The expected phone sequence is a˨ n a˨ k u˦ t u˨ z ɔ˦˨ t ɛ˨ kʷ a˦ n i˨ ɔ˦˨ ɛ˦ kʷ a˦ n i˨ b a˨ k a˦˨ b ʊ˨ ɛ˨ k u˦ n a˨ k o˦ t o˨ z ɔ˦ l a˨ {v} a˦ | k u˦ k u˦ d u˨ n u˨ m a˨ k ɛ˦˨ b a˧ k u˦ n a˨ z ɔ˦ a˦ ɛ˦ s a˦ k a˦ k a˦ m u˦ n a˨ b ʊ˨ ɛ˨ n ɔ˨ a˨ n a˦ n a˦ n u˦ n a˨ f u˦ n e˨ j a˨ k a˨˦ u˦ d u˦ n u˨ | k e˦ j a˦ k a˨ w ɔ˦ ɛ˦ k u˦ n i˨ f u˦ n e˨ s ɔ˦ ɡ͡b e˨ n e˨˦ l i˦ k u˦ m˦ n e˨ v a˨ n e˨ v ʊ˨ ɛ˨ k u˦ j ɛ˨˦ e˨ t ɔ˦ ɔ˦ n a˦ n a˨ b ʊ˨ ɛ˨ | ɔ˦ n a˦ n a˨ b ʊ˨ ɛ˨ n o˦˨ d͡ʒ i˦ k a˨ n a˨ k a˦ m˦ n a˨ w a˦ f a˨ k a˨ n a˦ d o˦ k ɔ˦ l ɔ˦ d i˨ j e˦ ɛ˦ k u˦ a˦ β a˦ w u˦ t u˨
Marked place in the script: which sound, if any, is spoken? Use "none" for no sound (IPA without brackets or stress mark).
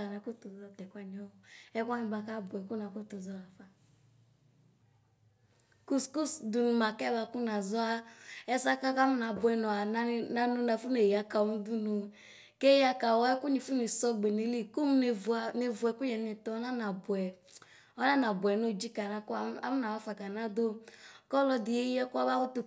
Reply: f